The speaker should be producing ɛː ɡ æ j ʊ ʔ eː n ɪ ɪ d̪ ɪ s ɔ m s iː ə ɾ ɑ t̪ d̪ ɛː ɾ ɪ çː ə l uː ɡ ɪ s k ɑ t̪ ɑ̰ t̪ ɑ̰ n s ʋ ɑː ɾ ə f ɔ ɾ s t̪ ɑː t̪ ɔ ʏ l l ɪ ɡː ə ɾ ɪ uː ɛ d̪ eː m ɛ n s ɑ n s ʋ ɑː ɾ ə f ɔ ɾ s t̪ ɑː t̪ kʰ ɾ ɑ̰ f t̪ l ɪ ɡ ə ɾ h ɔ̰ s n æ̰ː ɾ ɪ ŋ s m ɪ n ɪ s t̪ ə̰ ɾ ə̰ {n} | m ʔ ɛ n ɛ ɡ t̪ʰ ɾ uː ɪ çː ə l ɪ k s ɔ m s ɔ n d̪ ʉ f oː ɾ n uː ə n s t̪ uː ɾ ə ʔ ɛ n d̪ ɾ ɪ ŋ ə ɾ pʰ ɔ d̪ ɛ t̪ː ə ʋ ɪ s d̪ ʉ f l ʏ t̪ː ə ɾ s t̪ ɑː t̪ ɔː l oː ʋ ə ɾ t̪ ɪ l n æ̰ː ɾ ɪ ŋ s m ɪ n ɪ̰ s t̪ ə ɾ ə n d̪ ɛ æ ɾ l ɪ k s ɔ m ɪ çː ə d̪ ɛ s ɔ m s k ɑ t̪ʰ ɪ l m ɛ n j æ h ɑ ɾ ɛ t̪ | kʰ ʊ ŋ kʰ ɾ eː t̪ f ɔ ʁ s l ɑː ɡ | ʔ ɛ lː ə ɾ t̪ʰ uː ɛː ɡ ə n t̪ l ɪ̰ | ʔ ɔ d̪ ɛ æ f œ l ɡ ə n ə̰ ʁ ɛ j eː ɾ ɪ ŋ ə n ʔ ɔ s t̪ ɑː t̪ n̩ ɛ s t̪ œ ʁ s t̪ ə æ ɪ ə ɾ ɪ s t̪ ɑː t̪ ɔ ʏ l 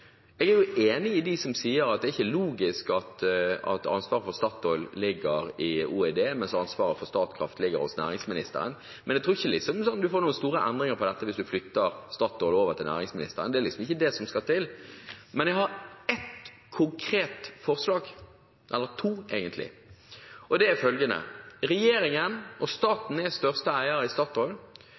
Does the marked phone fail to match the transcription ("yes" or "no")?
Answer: no